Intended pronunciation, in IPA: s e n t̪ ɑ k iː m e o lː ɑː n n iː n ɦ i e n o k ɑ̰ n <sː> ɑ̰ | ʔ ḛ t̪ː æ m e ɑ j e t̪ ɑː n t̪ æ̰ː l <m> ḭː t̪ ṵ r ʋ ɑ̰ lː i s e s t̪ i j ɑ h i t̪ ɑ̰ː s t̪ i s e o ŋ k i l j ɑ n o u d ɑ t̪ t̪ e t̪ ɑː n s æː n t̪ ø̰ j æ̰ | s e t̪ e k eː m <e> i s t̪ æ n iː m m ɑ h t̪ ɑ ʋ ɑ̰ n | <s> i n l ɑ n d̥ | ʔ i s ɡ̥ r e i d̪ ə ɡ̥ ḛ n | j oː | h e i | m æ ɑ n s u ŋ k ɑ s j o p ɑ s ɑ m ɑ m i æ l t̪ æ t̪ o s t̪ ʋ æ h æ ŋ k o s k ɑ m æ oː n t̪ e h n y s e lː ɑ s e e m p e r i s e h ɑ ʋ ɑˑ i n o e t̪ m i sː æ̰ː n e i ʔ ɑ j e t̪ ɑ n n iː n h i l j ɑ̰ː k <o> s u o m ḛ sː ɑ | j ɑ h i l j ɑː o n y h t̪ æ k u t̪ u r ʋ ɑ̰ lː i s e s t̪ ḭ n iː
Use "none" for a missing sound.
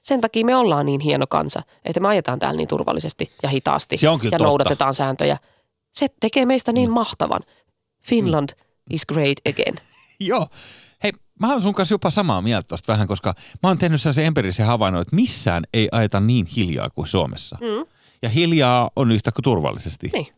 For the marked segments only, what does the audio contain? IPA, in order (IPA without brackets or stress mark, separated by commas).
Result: s, n, e, f, u